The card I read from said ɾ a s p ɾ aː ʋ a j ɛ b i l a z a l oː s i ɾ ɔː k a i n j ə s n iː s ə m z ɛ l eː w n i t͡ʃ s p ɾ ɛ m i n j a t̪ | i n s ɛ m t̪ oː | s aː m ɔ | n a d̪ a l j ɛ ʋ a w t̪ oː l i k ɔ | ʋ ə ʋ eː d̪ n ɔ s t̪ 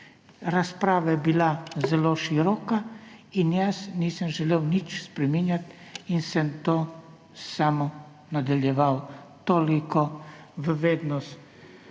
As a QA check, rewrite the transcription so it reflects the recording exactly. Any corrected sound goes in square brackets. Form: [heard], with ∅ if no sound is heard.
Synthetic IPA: ɾ a s p ɾ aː ʋ a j ɛ b i l a z [ɛ] l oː [ʃ] i ɾ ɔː k a i n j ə s n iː s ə m [ʒ] ɛ l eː w n i t͡ʃ s p ɾ ɛ m i n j a t̪ | i n s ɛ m t̪ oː | s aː m ɔ | n a d̪ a l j ɛ ʋ a w t̪ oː l i k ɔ | ʋ ə ʋ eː d̪ n ɔ s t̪